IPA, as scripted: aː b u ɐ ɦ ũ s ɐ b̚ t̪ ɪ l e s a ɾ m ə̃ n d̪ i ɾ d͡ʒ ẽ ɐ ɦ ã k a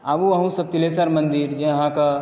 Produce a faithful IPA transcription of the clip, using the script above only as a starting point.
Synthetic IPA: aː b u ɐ ɦ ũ s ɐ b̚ t̪ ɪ l e s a ɾ m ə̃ n d̪ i ɾ d͡ʒ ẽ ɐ ɦ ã k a